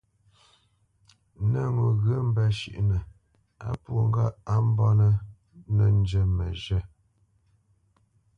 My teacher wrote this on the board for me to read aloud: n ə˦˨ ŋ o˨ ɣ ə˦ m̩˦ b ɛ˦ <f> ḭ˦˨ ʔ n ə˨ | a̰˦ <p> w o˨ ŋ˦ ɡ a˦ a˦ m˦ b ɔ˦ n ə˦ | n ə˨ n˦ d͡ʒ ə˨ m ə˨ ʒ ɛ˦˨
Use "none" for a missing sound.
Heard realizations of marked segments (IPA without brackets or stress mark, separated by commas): ʃ, p